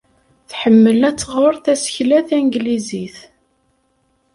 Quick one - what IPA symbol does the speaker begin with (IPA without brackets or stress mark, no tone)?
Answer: θ